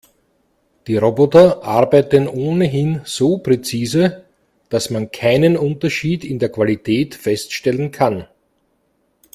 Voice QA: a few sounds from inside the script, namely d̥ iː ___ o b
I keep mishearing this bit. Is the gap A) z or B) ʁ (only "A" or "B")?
B